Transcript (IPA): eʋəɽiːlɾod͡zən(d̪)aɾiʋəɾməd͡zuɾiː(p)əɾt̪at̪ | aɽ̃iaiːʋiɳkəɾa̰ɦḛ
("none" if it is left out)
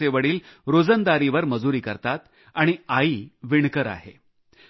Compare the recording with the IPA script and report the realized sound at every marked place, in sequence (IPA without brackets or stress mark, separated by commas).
d̪, k